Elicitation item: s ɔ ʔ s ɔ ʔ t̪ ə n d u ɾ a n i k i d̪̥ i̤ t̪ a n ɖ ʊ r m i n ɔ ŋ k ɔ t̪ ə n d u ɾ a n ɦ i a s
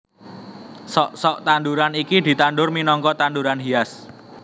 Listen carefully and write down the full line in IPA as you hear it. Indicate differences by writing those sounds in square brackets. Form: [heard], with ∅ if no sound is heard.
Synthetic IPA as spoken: s ɔ ʔ s ɔ ʔ t̪ [a] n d u ɾ a n i k i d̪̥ i̤ t̪ a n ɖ ʊ r m i n ɔ ŋ k ɔ t̪ [a] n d u ɾ a n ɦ i a s